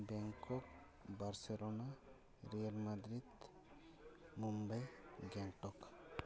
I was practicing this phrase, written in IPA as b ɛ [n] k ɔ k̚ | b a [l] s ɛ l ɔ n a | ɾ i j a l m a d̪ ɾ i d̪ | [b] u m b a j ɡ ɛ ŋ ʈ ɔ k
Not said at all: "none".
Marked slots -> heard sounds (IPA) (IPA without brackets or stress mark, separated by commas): ŋ, ɾ, m